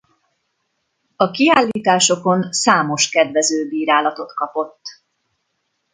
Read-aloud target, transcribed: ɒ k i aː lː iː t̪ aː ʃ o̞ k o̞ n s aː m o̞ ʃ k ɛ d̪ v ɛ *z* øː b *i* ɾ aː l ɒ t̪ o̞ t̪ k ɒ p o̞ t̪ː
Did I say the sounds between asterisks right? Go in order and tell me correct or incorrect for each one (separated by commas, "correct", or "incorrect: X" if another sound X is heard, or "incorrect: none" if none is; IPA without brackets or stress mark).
correct, incorrect: iː